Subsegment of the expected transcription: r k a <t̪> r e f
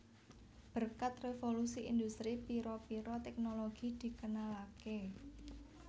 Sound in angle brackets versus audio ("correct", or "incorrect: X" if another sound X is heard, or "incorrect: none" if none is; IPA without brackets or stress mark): correct